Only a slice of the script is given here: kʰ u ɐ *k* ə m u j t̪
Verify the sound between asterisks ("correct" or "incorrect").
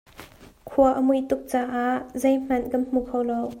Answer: incorrect